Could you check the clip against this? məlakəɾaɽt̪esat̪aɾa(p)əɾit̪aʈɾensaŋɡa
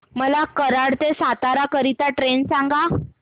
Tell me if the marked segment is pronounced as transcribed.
no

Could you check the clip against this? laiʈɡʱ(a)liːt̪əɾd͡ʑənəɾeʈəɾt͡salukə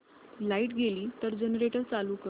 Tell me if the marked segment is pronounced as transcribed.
no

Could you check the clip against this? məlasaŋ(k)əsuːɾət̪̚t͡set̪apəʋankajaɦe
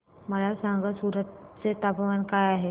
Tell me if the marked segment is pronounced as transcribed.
no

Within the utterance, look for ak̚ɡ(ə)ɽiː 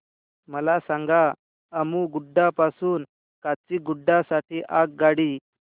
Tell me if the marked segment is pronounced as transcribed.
no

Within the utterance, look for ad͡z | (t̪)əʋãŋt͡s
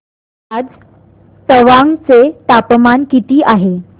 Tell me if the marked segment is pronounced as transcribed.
yes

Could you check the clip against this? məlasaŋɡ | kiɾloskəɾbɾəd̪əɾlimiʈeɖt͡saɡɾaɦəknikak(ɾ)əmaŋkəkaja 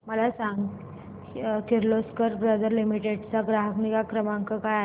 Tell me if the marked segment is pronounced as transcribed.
yes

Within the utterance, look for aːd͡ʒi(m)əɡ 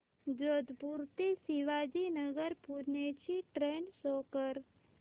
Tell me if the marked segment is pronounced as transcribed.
no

